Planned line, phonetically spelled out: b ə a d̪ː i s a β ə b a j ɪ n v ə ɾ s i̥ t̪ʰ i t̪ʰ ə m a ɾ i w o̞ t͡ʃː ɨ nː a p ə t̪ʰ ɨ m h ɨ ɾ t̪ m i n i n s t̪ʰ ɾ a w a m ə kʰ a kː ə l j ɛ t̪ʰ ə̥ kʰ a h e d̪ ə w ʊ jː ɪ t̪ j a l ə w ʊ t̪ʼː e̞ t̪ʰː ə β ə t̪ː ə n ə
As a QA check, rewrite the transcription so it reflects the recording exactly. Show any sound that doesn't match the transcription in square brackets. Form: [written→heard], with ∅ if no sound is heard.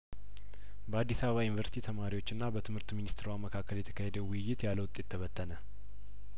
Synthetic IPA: b ə a d̪ː i s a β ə [b→β] a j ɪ n v ə ɾ s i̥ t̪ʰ i t̪ʰ ə m a ɾ i w o̞ t͡ʃː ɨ nː a [p→b] ə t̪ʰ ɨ m h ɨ ɾ t̪ m i n i [n→∅] s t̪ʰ ɾ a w a m ə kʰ a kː ə l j ɛ t̪ʰ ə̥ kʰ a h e d̪ ə w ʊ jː ɪ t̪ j a l ə w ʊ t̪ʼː e̞ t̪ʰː ə β ə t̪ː ə n ə